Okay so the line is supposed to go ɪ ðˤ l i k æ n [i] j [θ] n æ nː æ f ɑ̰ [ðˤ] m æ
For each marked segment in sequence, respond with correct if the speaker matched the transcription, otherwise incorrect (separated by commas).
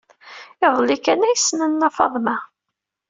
incorrect, incorrect, correct